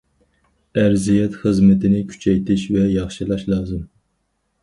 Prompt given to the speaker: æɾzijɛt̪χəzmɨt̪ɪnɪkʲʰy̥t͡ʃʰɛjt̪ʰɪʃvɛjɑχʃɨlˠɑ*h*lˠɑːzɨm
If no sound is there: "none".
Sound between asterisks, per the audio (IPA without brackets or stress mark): ʃ